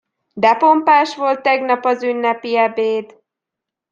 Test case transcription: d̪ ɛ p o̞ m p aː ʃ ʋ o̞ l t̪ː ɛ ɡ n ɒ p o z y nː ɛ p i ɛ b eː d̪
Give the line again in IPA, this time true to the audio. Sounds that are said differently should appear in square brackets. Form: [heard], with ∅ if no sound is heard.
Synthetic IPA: d̪ ɛ p o̞ m p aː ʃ ʋ o̞ l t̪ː ɛ ɡ n ɒ p [ɒ] z y nː ɛ p i ɛ b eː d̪